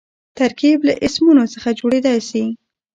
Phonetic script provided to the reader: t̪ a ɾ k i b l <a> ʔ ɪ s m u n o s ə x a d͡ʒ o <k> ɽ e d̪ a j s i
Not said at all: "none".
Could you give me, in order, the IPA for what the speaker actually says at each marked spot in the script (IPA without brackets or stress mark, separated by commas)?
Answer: a, none